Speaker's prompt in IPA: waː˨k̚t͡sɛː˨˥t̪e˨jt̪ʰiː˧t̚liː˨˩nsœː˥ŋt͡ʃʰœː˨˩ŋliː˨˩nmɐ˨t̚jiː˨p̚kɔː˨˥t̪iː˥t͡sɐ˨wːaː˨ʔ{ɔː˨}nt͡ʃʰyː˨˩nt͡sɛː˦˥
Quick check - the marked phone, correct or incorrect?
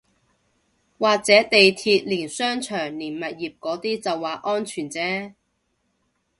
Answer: incorrect